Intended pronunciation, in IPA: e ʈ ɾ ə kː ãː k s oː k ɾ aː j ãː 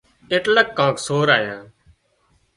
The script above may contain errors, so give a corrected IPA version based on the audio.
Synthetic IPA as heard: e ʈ l ə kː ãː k s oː ɾ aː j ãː